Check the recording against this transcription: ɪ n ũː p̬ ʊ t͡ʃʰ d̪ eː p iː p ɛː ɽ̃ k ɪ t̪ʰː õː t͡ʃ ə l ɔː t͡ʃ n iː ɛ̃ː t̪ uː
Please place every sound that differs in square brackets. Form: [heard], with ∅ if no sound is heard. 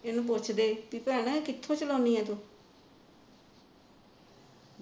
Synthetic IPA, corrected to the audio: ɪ n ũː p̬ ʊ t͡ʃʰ d̪ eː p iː p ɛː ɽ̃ k ɪ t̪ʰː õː t͡ʃ ə l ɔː [∅] n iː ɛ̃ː t̪ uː